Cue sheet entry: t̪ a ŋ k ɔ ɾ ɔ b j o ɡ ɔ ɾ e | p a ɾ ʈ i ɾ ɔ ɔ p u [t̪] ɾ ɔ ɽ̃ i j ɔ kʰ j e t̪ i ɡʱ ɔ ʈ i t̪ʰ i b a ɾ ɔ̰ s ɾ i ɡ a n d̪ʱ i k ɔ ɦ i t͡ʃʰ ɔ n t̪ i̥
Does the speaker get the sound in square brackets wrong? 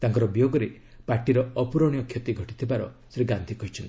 yes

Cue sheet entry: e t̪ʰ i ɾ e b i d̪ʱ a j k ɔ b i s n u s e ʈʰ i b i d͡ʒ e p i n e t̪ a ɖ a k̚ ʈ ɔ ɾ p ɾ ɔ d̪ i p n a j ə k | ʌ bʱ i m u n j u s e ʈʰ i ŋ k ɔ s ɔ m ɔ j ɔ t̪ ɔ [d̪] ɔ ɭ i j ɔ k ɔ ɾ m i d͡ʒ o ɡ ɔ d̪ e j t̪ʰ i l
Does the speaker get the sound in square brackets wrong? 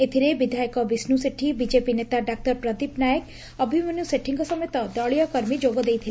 no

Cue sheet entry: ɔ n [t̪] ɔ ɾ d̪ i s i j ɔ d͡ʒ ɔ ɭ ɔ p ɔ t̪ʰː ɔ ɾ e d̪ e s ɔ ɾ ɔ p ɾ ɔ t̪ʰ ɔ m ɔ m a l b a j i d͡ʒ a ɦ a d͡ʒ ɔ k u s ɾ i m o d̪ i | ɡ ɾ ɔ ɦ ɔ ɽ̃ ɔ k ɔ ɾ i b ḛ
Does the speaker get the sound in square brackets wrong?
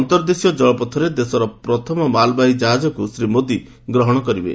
no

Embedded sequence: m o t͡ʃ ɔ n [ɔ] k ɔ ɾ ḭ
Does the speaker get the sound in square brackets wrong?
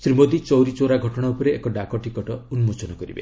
no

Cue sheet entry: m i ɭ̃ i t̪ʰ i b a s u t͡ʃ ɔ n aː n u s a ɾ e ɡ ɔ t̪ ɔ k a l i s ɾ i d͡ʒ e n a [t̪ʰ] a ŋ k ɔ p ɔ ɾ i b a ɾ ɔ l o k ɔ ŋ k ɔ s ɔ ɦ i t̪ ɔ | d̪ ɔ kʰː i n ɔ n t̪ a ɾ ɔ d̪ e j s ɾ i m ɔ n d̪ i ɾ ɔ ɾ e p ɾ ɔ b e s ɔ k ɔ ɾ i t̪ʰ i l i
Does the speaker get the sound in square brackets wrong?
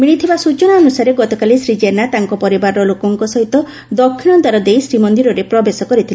yes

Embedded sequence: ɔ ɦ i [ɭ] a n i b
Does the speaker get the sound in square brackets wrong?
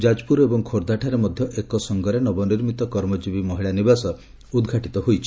no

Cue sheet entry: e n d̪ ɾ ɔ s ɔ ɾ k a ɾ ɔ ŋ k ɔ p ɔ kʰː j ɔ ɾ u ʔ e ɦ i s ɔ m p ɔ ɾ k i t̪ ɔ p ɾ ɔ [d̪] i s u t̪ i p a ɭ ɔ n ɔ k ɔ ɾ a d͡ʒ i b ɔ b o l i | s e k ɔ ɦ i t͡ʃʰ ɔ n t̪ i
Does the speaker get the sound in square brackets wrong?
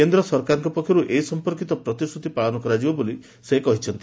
yes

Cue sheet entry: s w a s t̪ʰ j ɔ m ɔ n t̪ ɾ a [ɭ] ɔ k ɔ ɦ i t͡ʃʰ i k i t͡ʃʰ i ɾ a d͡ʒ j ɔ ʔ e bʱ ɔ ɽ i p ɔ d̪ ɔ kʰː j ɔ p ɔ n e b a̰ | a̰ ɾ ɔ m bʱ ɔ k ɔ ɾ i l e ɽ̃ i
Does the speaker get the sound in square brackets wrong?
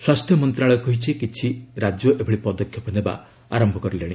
no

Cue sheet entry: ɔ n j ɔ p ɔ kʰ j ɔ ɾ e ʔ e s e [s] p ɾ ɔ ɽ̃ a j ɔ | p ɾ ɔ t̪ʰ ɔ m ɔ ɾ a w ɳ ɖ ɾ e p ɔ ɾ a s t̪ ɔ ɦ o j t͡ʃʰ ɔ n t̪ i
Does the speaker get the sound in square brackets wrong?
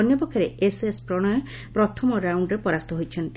no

